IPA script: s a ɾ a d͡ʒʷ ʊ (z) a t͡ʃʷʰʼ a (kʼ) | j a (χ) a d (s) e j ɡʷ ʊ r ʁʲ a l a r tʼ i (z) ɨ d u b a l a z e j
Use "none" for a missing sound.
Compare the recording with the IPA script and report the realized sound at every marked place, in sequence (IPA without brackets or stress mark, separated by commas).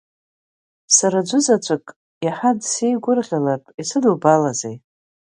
z, kʼ, ħ, s, s